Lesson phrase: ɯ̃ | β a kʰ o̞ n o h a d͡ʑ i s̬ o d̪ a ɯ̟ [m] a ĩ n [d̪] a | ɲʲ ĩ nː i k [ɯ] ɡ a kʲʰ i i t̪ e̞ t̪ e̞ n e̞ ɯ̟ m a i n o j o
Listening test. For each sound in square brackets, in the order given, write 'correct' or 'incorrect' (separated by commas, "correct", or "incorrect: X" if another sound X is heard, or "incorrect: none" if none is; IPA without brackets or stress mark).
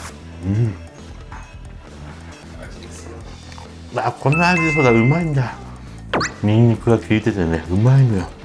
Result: correct, correct, correct